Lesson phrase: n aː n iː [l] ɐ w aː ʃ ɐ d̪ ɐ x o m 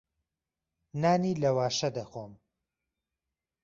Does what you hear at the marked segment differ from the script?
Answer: no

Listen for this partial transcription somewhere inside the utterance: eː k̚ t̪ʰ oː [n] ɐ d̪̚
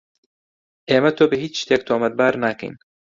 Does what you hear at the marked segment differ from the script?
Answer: yes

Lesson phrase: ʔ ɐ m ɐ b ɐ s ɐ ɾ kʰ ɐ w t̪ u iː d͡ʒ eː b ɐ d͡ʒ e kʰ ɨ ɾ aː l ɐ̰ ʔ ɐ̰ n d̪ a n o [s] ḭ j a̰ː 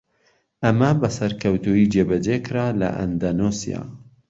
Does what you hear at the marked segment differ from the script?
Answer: no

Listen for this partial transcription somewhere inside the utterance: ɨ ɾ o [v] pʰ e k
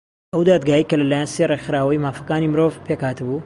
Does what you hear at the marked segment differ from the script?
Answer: no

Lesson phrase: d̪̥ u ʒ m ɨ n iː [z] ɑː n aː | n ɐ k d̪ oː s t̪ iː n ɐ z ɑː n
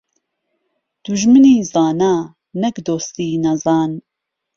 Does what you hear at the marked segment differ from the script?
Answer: no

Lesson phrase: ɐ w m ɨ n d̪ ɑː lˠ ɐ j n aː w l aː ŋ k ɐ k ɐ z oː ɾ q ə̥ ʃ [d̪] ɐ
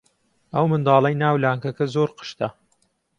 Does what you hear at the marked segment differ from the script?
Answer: yes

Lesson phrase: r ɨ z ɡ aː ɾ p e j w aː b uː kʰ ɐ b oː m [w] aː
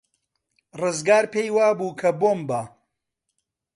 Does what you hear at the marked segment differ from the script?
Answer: yes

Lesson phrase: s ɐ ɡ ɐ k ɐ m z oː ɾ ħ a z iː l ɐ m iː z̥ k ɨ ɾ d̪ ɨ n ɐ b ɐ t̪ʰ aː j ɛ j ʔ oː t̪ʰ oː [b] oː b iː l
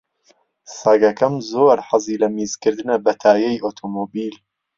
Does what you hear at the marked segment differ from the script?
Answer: yes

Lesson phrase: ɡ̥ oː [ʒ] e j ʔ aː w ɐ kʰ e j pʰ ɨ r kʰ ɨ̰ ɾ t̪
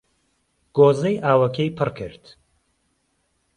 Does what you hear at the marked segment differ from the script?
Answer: yes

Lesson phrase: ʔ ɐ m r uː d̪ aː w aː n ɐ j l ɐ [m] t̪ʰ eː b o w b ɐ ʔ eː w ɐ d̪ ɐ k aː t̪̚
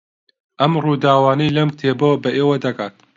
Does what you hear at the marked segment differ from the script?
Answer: no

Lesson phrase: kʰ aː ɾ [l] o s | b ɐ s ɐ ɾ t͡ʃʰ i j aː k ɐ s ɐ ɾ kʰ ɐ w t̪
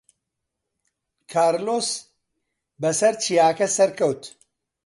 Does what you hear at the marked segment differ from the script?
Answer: no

